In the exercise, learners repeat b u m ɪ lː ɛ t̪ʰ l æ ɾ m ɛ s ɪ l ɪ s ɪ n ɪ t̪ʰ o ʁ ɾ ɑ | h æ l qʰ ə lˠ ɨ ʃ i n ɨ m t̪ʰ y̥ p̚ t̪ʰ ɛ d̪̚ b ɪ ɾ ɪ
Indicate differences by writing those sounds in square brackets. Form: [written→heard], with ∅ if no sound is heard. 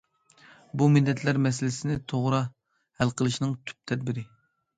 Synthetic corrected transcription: b u m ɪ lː ɛ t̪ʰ l æ ɾ m ɛ s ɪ l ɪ s ɪ n ɪ t̪ʰ o ʁ ɾ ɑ | h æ l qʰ ə lˠ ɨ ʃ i n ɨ [m→ŋ] t̪ʰ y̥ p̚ t̪ʰ ɛ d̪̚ b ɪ ɾ ɪ